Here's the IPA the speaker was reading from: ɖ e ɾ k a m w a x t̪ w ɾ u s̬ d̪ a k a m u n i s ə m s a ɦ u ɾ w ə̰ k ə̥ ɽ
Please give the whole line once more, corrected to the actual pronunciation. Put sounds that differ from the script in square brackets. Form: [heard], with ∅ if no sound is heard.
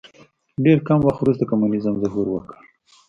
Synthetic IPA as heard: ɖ e ɾ k a m w a x t̪ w ɾ u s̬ [t̪] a k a m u n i [z] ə m [z] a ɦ u ɾ w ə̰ k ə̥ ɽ